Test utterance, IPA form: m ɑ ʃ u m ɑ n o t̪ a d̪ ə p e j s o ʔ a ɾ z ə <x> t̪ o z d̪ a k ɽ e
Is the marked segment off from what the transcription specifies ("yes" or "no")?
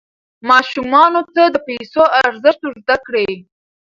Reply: yes